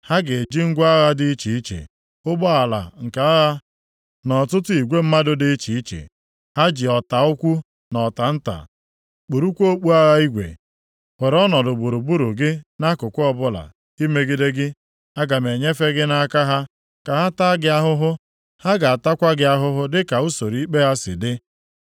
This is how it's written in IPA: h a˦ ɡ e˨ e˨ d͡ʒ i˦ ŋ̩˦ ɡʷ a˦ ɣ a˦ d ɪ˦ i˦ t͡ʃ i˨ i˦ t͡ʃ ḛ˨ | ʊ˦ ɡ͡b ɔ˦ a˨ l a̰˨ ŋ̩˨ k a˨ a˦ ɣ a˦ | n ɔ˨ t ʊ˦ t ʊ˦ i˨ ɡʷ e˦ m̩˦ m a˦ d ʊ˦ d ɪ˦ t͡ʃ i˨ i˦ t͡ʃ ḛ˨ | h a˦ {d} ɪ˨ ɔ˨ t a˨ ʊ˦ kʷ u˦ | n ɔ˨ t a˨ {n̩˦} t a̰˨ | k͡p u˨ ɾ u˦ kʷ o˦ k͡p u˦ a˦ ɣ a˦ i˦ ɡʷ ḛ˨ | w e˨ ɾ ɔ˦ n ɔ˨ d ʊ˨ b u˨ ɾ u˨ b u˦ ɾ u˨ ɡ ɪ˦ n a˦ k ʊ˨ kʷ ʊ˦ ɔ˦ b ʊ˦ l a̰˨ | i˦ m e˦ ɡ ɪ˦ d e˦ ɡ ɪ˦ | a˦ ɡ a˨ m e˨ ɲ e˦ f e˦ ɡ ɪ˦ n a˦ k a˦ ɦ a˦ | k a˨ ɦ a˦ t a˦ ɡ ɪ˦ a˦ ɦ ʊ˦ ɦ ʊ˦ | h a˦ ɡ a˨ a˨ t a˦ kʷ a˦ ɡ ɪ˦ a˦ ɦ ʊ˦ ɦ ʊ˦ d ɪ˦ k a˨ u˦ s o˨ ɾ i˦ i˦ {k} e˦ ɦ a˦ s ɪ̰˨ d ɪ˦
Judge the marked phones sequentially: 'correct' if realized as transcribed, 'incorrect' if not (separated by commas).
incorrect, correct, incorrect